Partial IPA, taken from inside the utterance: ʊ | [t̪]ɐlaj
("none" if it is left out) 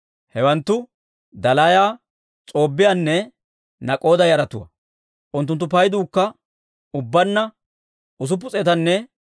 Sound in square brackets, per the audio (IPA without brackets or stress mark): d̪